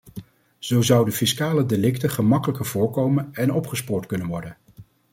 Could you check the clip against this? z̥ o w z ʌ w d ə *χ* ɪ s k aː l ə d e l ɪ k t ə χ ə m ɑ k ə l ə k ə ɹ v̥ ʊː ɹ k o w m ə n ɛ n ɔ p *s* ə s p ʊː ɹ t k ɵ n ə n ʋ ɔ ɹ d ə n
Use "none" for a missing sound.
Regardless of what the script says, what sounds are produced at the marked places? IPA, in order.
f, χ

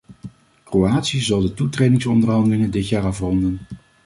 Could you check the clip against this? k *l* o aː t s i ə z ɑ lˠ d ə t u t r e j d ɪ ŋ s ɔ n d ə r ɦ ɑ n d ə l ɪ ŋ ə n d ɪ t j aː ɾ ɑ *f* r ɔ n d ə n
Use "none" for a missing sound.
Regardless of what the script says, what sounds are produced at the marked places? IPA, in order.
r, f

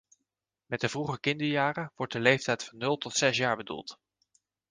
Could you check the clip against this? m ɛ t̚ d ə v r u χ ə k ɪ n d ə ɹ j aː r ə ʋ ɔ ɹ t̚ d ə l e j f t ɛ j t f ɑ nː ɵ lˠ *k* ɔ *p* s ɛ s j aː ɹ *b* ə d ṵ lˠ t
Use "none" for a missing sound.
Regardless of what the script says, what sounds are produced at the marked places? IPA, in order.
t, t, b

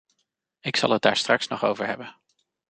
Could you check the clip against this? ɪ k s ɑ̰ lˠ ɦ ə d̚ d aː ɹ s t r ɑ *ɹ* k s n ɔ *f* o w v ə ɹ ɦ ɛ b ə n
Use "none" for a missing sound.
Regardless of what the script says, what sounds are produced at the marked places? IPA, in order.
none, χ

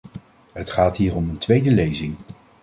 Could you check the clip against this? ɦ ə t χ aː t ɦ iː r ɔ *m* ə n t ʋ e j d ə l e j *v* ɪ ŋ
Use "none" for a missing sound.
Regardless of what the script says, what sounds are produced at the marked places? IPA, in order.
m, z

